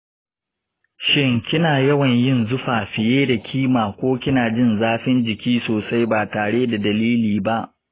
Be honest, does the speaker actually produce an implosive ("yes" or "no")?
no